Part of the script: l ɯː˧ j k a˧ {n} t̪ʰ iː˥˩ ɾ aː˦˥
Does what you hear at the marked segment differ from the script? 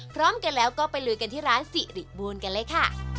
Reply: no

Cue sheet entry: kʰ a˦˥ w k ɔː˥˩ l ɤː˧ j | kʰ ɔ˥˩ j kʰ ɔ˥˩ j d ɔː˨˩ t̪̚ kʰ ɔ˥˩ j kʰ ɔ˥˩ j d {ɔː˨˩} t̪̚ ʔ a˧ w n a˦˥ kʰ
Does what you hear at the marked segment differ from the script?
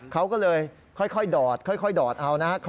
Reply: no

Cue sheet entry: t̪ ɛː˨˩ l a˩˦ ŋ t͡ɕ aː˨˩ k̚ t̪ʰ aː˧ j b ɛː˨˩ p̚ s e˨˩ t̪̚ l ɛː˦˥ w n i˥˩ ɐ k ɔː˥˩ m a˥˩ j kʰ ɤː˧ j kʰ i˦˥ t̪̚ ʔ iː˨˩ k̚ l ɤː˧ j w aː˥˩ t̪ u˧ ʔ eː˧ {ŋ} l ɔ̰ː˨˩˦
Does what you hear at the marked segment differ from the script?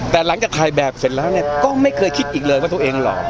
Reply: no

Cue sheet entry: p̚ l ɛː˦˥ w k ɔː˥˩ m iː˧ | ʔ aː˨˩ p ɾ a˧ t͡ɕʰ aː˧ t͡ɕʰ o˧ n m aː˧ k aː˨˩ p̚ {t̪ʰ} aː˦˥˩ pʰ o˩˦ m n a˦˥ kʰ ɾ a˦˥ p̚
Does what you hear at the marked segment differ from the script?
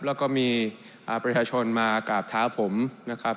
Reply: no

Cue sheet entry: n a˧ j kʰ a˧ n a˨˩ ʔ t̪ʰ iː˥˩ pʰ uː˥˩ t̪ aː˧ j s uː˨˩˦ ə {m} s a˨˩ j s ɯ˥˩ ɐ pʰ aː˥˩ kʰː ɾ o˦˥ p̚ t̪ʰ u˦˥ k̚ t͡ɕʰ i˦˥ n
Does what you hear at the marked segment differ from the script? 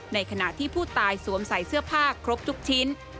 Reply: no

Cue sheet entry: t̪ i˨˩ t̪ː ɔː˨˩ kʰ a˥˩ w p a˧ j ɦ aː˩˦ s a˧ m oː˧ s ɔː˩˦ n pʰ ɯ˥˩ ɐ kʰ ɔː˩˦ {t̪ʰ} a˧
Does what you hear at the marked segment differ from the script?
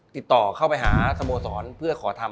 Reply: no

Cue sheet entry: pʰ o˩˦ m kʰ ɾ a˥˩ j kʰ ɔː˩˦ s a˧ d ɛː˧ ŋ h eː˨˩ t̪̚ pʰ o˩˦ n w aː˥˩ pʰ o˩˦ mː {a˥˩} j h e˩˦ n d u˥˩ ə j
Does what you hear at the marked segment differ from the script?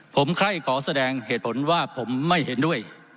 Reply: no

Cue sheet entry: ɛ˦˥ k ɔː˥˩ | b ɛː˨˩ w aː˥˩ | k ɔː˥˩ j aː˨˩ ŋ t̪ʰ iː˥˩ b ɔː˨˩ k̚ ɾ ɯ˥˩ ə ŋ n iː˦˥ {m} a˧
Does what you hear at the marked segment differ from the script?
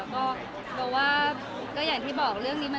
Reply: no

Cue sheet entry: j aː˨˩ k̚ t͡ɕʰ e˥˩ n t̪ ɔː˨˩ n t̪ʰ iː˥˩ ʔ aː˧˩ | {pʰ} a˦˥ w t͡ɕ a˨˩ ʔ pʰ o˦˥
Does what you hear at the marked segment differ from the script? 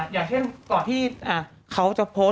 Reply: yes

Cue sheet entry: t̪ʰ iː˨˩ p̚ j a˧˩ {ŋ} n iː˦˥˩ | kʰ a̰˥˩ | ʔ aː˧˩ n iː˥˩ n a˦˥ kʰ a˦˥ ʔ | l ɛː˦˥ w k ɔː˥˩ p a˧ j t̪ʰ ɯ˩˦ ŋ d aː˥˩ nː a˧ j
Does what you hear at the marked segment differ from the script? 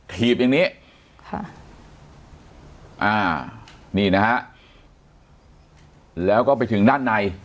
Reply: no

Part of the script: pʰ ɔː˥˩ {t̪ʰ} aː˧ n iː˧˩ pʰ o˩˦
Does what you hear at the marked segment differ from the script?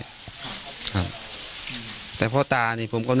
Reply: yes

